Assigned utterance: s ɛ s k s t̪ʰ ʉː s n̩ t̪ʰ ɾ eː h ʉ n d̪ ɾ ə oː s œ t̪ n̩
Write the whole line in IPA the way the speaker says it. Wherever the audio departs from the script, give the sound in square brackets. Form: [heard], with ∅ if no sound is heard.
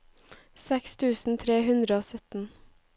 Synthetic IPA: s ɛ [∅] k s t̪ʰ ʉː s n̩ t̪ʰ ɾ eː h ʉ n d̪ ɾ ə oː s œ t̪ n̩